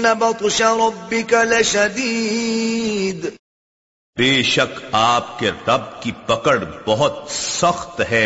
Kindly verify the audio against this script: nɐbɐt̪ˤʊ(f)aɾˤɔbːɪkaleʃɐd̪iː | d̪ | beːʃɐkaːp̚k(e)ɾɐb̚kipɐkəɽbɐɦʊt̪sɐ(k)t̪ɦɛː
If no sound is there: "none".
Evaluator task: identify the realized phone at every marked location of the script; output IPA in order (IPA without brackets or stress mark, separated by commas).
ʃ, e, x